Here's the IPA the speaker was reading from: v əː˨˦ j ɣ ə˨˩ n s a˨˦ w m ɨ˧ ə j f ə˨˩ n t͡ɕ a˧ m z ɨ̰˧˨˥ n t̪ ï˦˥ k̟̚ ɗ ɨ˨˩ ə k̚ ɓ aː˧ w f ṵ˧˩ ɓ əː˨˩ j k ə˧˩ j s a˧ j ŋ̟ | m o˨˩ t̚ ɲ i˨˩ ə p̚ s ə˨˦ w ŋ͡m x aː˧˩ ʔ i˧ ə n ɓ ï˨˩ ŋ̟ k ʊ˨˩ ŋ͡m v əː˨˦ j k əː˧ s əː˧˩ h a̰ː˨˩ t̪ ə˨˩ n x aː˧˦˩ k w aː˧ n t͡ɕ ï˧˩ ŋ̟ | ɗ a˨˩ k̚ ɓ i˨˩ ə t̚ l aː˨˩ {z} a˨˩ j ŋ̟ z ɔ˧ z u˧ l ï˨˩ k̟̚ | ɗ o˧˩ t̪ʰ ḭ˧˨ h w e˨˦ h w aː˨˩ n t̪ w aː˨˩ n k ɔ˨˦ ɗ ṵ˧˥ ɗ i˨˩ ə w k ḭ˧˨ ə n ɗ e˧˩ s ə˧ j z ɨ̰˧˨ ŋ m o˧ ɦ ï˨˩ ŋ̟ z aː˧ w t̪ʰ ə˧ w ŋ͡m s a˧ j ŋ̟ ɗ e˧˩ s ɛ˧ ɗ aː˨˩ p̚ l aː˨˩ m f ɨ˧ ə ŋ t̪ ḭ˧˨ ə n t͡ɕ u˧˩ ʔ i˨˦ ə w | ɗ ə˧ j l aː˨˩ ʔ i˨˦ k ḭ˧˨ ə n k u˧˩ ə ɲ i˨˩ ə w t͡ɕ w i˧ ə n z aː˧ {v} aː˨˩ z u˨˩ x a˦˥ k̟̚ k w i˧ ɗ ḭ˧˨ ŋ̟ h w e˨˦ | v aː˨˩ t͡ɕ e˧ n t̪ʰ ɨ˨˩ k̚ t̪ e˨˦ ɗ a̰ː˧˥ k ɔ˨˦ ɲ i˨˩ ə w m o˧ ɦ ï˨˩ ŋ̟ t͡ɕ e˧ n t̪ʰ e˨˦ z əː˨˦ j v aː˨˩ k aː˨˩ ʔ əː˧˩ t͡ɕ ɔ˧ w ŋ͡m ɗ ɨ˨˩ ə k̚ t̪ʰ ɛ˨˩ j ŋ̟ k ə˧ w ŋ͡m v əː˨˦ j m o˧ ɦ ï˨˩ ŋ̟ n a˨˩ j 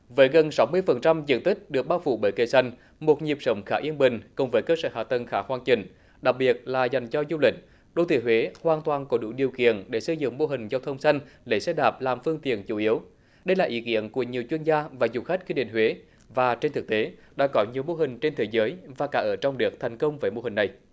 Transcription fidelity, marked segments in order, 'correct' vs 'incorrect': correct, correct

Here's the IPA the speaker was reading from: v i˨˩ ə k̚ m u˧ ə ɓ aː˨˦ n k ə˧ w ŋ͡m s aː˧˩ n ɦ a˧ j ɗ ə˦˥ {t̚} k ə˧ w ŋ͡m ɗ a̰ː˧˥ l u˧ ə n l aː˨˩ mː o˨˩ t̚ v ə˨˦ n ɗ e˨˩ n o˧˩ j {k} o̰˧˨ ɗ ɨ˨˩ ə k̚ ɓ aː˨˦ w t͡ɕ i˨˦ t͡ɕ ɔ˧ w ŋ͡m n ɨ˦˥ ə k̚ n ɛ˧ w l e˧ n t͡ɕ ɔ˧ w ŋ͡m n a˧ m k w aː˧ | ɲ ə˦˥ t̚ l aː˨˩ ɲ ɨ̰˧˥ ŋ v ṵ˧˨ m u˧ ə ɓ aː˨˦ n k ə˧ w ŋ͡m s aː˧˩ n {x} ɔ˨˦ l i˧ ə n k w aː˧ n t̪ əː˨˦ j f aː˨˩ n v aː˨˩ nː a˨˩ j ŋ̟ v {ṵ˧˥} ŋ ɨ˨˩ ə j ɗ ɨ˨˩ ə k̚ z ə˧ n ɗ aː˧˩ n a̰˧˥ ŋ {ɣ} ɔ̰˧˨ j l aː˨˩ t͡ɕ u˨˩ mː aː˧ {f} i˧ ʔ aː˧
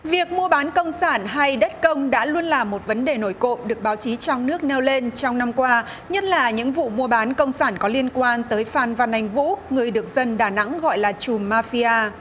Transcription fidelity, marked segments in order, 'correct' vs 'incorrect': correct, correct, incorrect: k, correct, correct, correct

